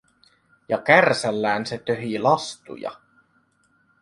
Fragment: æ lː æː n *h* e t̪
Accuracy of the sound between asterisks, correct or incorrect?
incorrect: s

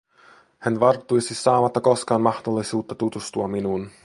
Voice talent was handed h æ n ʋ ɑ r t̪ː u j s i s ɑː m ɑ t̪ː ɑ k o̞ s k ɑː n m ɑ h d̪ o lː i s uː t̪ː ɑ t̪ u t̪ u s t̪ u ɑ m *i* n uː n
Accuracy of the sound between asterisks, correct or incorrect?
correct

